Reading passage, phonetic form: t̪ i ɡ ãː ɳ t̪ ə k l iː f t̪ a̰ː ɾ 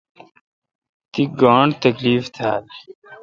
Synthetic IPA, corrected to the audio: t̪ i ɡ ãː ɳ t̪ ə k l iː f t̪ʰ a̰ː l